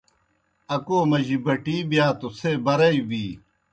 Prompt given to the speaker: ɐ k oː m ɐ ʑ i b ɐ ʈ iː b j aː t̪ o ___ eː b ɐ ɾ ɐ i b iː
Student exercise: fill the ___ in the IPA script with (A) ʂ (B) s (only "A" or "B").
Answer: B